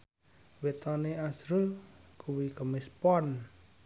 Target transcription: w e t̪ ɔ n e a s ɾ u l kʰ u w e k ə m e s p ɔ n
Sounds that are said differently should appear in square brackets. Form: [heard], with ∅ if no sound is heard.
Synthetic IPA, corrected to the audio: w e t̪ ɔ n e a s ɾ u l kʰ u w [i] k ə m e s p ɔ n